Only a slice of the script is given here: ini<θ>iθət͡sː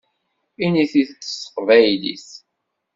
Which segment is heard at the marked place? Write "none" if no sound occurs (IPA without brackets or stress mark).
θ